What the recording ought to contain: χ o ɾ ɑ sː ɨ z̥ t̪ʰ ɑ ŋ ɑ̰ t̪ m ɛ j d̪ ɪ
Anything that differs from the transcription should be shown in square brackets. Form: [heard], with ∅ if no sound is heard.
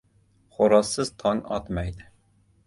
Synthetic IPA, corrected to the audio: χ o ɾ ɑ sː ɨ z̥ t̪ʰ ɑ ŋ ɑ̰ t̪ m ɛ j d̪ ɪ